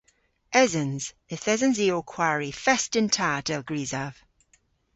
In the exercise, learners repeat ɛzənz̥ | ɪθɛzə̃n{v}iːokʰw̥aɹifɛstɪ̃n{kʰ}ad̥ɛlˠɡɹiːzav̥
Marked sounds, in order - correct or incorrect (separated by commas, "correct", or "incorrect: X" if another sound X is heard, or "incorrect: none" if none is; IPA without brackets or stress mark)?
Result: incorrect: z, incorrect: tʰ